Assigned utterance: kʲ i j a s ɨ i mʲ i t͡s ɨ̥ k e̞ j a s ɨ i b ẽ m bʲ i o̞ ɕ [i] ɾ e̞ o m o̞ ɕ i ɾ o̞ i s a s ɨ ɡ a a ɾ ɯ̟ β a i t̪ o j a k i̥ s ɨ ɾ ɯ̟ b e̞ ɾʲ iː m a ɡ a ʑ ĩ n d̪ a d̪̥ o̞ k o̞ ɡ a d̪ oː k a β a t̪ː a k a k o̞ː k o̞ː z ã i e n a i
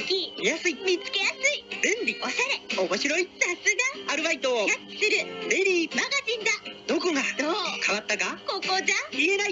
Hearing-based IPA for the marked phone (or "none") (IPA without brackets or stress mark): a